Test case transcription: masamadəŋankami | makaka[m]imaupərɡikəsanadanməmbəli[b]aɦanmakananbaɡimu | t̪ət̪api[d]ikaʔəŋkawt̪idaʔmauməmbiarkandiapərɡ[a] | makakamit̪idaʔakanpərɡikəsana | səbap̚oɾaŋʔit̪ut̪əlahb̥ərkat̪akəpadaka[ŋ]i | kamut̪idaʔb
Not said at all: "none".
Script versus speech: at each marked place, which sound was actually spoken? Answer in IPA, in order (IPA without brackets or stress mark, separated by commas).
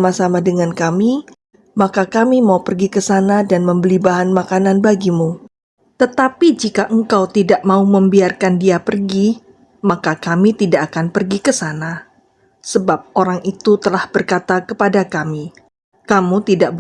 m, b, d͡ʒ, i, m